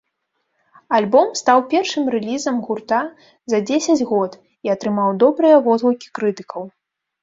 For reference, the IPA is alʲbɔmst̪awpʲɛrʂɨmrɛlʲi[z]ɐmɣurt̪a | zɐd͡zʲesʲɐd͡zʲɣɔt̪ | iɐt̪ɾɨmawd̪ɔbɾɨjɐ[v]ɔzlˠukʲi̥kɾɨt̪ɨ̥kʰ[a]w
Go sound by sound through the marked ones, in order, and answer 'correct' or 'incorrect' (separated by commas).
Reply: correct, correct, incorrect